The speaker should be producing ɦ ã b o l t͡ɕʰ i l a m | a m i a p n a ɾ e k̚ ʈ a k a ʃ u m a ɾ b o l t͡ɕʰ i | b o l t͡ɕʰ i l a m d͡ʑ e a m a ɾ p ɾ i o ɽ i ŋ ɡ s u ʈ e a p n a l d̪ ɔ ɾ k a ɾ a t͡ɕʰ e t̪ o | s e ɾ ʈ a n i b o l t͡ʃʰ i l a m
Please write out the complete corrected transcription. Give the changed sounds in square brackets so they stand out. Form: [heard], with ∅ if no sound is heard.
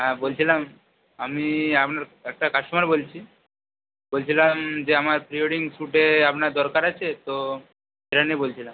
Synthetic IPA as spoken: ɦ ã b o l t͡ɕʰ i l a m | a m i a p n a ɾ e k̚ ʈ a k a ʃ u m a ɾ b o l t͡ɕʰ i | b o l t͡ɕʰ i l a m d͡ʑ e a m a ɾ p ɾ i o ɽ i ŋ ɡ s u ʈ e a p n a [ɾ] d̪ ɔ ɾ k a ɾ a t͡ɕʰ e t̪ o | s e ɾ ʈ a n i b o l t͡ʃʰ i l a m